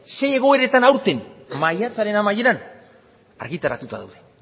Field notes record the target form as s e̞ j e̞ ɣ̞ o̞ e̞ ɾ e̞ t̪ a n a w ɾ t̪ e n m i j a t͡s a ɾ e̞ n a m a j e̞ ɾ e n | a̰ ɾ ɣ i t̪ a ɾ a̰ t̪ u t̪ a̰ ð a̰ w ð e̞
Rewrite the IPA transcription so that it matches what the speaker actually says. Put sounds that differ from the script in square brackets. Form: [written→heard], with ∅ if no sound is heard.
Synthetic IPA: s e̞ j e̞ ɣ̞ o̞ e̞ ɾ e̞ t̪ a n a w ɾ t̪ e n m [i→a] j a t͡s a ɾ e̞ n a m a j e̞ ɾ [e→a] n | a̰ ɾ ɣ i t̪ a ɾ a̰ t̪ u t̪ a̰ ð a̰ w ð e̞